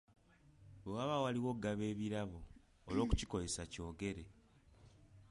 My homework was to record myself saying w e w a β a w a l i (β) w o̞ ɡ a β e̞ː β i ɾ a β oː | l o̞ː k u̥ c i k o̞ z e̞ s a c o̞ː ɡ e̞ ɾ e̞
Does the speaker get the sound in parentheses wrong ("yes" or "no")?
yes